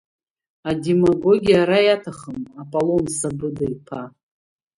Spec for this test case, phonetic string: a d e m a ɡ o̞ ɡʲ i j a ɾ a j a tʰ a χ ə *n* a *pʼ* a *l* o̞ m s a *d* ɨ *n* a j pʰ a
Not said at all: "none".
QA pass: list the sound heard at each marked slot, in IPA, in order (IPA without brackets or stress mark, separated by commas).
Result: m, pʼ, l, b, d